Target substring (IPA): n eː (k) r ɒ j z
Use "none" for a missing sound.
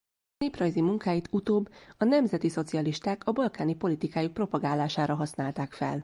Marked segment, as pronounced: p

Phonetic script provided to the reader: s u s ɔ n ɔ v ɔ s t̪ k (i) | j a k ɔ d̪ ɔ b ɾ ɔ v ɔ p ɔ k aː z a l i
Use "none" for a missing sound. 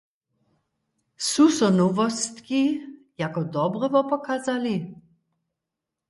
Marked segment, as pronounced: i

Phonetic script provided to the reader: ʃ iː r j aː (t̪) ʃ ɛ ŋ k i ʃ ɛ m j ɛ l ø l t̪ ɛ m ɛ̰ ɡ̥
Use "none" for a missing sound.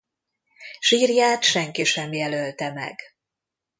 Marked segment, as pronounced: t̪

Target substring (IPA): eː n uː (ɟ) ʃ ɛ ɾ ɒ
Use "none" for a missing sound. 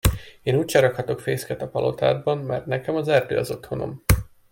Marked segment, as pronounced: c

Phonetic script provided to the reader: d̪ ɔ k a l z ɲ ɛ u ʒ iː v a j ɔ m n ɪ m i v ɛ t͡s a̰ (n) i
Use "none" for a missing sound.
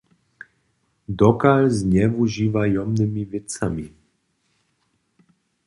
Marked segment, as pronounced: m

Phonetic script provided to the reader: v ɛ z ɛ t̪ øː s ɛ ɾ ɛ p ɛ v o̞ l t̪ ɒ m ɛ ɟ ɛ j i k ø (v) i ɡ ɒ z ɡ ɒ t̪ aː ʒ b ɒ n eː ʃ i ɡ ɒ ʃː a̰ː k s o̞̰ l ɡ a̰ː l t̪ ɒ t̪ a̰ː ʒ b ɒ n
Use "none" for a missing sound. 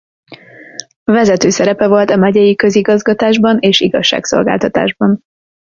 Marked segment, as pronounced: z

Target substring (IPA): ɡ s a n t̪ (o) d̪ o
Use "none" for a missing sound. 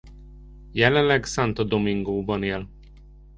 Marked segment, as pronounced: ɒ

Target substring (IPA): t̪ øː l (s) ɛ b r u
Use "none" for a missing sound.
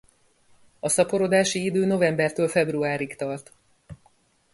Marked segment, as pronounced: f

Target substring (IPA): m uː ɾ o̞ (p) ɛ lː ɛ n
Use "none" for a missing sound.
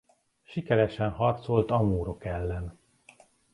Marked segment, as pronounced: k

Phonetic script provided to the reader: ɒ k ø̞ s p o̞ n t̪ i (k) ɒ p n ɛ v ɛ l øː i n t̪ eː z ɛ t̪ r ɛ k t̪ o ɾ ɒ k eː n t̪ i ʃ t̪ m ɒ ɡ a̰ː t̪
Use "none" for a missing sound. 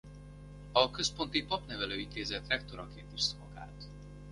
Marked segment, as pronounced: p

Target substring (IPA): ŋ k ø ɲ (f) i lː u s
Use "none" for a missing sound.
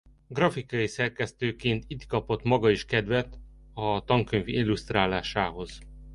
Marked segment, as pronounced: v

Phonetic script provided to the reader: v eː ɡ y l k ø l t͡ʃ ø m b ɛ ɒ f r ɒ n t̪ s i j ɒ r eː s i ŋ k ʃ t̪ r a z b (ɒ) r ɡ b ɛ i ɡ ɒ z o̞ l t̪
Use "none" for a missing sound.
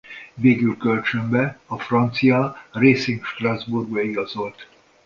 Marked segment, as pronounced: u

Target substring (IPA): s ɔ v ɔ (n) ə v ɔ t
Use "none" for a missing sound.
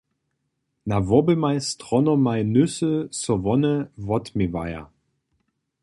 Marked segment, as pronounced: n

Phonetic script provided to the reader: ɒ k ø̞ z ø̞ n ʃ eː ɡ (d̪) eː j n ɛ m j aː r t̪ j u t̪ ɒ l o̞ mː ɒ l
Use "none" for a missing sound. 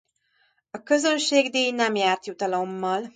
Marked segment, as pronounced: d̪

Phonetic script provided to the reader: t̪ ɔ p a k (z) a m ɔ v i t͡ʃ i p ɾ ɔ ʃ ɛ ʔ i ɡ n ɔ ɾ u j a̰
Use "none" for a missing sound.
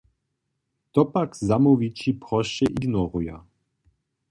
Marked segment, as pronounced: z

